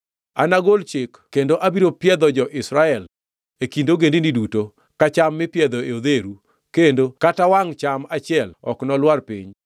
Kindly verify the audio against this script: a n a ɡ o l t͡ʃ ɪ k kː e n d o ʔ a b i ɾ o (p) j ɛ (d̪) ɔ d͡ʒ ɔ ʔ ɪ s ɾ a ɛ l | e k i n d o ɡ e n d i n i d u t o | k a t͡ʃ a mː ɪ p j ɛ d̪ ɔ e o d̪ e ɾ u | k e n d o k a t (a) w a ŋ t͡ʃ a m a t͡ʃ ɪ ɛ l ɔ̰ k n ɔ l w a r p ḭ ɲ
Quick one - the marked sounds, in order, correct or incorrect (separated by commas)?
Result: correct, correct, correct